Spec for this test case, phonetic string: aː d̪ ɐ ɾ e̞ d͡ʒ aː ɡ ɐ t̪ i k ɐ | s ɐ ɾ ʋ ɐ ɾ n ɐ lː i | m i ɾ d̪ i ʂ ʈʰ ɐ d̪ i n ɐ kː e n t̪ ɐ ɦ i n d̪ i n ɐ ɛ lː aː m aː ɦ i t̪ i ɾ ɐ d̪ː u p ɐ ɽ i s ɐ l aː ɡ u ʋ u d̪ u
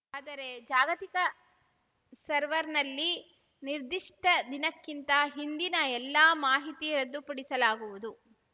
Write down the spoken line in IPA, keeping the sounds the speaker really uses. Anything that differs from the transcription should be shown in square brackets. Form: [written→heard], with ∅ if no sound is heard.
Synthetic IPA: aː d̪ ɐ ɾ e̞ d͡ʒ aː ɡ ɐ t̪ i k ɐ | s ɐ ɾ ʋ ɐ ɾ n ɐ lː i | [m→n] i ɾ d̪ i ʂ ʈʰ ɐ d̪ i n ɐ kː [e→i] n t̪ ɐ ɦ i n d̪ i n ɐ ɛ lː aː m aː ɦ i t̪ i ɾ ɐ d̪ː u p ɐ ɽ i s ɐ l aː ɡ u ʋ u d̪ u

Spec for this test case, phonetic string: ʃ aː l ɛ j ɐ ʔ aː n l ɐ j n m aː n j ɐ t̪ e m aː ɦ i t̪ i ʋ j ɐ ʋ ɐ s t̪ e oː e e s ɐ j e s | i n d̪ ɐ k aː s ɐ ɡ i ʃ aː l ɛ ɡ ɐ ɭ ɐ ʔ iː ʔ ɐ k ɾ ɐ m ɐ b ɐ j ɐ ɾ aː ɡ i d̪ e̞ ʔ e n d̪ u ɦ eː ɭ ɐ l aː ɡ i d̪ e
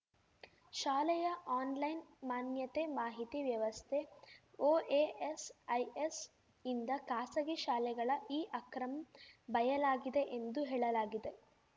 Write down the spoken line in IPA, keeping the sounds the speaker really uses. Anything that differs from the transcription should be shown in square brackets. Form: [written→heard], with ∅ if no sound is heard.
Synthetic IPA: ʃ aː l ɛ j ɐ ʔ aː n l ɐ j n m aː n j ɐ t̪ e m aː ɦ i t̪ i ʋ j ɐ ʋ ɐ s [t̪→t̪ʰ] e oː e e s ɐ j e s | i n d̪ ɐ k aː s ɐ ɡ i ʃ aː l ɛ ɡ ɐ ɭ ɐ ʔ iː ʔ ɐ k ɾ ɐ m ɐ b ɐ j ɐ [ɾ→l] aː ɡ i d̪ e̞ ʔ e n d̪ u ɦ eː ɭ ɐ l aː ɡ i d̪ e

